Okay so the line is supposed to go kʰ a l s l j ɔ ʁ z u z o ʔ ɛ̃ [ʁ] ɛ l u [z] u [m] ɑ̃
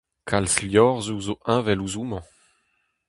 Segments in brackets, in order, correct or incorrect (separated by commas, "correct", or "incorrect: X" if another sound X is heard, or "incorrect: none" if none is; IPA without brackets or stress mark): incorrect: v, correct, correct